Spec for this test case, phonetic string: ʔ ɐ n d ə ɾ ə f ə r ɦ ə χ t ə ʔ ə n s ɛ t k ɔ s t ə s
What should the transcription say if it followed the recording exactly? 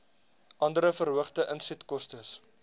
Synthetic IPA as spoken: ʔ ɐ n d ə ɾ ə f ə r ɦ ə χ t ə ʔ ə n s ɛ t k ɔ s t ə s